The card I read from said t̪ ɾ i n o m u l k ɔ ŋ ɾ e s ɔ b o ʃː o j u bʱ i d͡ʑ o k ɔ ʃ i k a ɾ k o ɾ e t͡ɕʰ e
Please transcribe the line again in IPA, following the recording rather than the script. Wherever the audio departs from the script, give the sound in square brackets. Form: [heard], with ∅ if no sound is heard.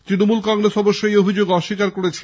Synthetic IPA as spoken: t̪ ɾ i n o m u l k ɔ ŋ ɾ e s ɔ b o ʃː o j [o] bʱ i d͡ʑ o [ɡ] ɔ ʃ i k a ɾ k o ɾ e t͡ɕʰ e

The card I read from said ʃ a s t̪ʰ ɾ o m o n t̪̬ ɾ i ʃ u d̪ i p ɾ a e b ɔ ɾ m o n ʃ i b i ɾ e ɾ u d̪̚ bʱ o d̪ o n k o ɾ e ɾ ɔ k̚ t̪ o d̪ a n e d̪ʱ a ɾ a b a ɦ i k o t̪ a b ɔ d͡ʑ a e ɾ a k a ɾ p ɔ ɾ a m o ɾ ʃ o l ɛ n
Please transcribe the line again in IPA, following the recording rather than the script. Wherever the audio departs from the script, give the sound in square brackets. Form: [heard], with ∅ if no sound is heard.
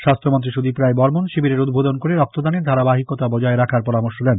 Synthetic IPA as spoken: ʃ a s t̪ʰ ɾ o m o n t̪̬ ɾ i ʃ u d̪ i p ɾ a e b ɔ ɾ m o n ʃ i b i ɾ e ɾ u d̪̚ bʱ o d̪ o n k o ɾ e ɾ ɔ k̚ t̪ o d̪ a n e d̪ʱ a ɾ a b a ɦ i k o t̪ a b ɔ d͡ʑ a e ɾ a [kʰ] a ɾ p ɔ ɾ a m o ɾ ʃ o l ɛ n

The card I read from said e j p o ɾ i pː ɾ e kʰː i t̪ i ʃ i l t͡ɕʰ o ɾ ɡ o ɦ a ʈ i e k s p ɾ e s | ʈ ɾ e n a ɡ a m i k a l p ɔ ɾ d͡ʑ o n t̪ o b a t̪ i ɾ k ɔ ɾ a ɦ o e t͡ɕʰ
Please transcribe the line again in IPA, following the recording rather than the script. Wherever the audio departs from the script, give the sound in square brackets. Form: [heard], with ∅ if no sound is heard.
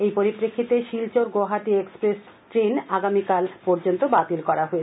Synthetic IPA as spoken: e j p o ɾ i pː ɾ e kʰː i t̪ [e] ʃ i l [t͡ɕ] o ɾ ɡ o ɦ a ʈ i e k s p ɾ e s | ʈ ɾ e n a ɡ a m i k a l p ɔ ɾ d͡ʑ o n t̪ o b a t̪ i [l] k ɔ ɾ a ɦ o e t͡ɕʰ

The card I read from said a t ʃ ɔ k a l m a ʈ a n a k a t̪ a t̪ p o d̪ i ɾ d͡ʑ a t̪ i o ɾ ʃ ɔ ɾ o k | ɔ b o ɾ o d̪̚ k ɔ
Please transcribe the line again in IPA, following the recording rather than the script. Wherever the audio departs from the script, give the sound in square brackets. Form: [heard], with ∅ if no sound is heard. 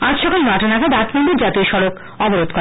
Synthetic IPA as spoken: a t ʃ ɔ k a l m a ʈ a n a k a [d̪] a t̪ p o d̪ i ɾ d͡ʑ a t̪ i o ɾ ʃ ɔ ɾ o k | ɔ b o ɾ o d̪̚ k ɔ

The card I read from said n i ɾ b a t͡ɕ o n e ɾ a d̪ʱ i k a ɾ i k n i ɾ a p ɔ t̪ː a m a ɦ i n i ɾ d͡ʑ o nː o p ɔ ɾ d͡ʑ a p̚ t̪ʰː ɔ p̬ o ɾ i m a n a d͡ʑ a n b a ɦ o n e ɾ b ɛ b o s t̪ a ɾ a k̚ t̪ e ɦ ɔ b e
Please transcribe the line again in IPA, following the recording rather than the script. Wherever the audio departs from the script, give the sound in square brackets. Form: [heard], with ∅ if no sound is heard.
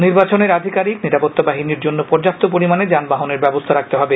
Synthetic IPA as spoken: n i ɾ b a t͡ɕ o n e ɾ a d̪ʱ i k a ɾ i k n i ɾ a p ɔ t̪ː a [b] a ɦ i n i ɾ d͡ʑ o nː o p ɔ ɾ d͡ʑ a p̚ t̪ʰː [o] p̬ o ɾ i m a n [e] d͡ʑ a n b a ɦ o n e ɾ b ɛ b o s [t̪ʰ] a ɾ a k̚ t̪ e ɦ ɔ b e

